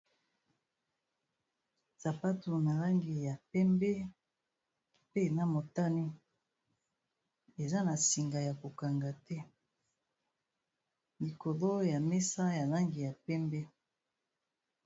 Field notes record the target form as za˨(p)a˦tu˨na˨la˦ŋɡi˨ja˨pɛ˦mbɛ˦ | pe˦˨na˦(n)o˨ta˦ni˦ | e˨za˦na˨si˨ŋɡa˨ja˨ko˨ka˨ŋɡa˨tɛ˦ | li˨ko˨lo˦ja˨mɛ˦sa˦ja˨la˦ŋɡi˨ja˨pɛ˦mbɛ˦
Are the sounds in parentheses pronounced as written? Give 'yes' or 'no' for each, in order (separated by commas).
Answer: yes, no